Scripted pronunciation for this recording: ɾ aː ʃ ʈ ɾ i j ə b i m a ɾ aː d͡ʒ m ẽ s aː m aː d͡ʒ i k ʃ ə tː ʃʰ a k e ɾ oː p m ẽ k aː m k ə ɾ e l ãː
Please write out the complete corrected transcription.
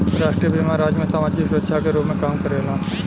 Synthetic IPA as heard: ɾ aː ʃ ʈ ɾ i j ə b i m a ɾ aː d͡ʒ m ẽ s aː m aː d͡ʒ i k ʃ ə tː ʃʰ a k e ɾ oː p m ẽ k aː m k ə ɾ e l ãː